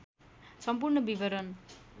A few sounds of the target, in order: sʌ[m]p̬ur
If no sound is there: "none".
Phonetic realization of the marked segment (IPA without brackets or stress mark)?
m